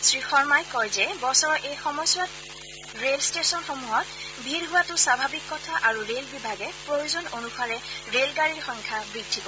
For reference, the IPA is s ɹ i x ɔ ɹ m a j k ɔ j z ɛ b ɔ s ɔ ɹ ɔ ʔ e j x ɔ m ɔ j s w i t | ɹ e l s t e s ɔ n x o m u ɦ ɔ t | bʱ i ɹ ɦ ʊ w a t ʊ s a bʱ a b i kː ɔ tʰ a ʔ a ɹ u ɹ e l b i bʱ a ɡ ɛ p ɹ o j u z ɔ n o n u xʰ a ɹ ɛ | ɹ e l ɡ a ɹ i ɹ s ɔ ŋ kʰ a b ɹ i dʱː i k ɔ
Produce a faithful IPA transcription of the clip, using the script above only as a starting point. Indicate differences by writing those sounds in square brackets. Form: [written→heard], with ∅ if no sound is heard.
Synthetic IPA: s ɹ i x ɔ ɹ m a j k ɔ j z ɛ b ɔ s ɔ ɹ ɔ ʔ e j x ɔ m ɔ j s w [i→a] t | ɹ e l s t e s ɔ n x o m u ɦ ɔ t | bʱ i ɹ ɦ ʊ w a t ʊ s a bʱ a b i kː ɔ tʰ a ʔ a ɹ u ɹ e l b i bʱ a ɡ ɛ p ɹ o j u z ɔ n o n u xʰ a ɹ ɛ | ɹ e l ɡ a ɹ i ɹ [s→x] ɔ ŋ kʰ a b ɹ i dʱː i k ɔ

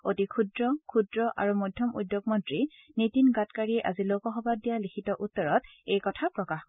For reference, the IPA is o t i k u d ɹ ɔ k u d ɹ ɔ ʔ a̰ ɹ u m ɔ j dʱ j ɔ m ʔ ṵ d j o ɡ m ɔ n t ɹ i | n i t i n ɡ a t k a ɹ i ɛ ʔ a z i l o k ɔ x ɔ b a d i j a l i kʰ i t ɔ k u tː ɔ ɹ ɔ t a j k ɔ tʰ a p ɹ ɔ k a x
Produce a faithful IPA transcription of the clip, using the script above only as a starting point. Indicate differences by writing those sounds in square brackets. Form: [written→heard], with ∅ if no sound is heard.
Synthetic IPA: o t i [k→kʰ] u d ɹ ɔ [k→kʰ] u d ɹ ɔ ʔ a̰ ɹ u m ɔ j dʱ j ɔ m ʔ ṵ d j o ɡ m ɔ n t ɹ i | n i t i n ɡ a t k a ɹ i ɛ ʔ a z i l o k ɔ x ɔ b a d i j a l i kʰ i t ɔ [k→ʔ] u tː ɔ ɹ ɔ t [a→e] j k ɔ tʰ a p ɹ ɔ k a x

